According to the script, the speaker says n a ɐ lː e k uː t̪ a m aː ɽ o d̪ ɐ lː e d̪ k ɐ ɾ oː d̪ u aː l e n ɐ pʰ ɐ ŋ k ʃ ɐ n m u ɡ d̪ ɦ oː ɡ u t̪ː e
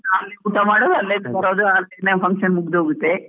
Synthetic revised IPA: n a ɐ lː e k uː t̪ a m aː ɽ o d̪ ɐ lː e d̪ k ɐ ɾ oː d̪ u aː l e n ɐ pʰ ɐ ŋ k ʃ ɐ n m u ɡ d̪ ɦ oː ɡ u t̪ː e